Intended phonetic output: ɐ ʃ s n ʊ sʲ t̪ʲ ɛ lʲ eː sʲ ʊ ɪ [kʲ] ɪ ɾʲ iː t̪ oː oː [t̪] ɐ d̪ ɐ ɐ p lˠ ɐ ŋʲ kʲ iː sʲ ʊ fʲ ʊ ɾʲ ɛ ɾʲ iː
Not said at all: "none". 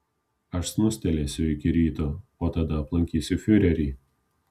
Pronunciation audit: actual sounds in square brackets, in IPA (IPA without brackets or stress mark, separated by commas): kʲ, t̪